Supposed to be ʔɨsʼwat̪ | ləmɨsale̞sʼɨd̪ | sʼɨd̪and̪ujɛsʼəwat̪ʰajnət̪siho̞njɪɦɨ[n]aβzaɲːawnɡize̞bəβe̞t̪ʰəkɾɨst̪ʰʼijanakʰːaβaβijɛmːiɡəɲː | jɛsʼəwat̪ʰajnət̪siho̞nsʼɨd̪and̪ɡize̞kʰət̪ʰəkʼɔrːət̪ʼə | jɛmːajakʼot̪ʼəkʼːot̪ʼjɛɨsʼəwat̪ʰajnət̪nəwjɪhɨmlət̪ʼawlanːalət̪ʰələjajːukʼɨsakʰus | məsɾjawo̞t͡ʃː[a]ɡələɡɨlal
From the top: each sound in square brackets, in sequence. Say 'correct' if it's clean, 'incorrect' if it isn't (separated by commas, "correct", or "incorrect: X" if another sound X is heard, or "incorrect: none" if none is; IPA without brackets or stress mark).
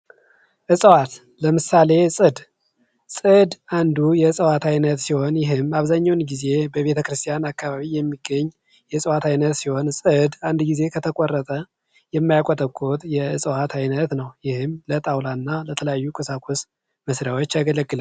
incorrect: m, correct